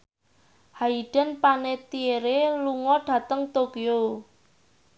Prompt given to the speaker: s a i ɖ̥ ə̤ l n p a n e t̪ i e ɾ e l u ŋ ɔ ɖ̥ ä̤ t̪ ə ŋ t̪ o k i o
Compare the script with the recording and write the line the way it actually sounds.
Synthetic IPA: h a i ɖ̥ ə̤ n p a n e t̪ i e ɾ e l u ŋ ɔ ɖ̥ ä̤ t̪ ə ŋ t̪ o k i o